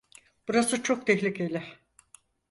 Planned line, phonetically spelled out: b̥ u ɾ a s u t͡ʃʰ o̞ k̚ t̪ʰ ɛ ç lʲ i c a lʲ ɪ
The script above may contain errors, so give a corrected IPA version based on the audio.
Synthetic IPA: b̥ u ɾ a s ɯ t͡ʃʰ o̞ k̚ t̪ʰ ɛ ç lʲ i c e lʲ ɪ